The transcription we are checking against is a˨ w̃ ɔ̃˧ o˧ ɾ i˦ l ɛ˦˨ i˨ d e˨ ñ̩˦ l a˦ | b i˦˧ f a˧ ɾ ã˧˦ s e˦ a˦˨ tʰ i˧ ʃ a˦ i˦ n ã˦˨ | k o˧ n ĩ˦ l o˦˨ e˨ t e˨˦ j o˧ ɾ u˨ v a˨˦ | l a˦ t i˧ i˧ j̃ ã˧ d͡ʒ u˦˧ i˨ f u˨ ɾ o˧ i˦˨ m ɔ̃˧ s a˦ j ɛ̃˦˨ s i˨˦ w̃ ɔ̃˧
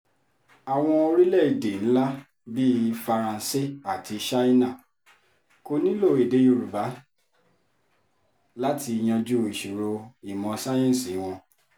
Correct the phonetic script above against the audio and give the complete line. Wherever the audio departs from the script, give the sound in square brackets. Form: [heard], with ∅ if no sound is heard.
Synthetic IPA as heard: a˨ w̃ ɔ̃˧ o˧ ɾ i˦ l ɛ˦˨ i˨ d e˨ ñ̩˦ l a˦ | b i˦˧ f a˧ ɾ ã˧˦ s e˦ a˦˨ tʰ i˧ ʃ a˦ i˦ n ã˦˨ | k o˧ n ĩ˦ l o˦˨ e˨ [d] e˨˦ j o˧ ɾ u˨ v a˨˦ | l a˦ t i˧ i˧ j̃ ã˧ d͡ʒ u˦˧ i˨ [ʃ] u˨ ɾ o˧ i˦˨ m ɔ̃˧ s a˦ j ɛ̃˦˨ s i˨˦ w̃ ɔ̃˧